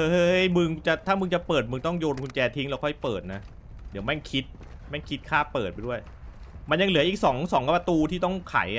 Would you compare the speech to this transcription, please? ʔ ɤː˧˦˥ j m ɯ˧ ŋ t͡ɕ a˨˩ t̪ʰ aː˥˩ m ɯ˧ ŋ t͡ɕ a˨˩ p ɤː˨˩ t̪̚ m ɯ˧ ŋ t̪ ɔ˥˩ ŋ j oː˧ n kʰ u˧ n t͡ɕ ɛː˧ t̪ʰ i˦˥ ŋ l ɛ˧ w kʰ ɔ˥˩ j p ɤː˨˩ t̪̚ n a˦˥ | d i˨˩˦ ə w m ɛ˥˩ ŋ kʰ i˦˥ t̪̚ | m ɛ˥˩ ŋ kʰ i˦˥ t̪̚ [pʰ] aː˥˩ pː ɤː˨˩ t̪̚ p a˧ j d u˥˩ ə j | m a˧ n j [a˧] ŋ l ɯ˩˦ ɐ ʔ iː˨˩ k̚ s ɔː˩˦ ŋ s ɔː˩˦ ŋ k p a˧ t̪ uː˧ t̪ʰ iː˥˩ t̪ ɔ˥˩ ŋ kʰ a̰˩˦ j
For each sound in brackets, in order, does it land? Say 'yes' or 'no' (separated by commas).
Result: no, yes